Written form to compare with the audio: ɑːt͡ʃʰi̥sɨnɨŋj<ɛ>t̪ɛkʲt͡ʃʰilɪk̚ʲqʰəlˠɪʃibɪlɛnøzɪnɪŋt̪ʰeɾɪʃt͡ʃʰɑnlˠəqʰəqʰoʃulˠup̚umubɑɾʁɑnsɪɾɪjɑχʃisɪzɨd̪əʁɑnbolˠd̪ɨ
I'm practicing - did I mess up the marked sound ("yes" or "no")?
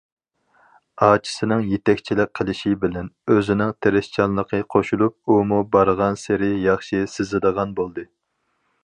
yes